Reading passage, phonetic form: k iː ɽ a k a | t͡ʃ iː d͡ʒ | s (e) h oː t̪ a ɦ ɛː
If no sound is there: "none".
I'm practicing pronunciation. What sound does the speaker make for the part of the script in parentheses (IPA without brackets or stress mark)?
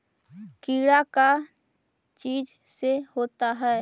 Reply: e